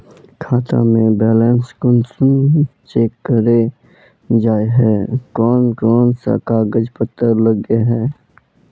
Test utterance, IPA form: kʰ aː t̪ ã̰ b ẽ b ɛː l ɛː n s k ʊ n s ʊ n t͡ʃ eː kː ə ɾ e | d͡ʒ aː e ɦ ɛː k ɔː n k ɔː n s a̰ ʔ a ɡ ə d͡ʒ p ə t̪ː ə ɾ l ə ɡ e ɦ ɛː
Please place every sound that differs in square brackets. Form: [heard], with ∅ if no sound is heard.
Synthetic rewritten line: kʰ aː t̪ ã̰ [m] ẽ b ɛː l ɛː n s k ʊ n s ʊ n t͡ʃ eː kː ə ɾ e | d͡ʒ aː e ɦ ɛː k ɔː n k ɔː n s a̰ [k] a ɡ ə d͡ʒ p ə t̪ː ə ɾ l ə ɡ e ɦ ɛː